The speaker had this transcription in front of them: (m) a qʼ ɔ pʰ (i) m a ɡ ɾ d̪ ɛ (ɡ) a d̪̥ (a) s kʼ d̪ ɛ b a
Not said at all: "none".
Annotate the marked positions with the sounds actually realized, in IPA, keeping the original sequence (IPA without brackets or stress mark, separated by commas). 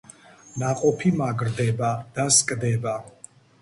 n, i, b, a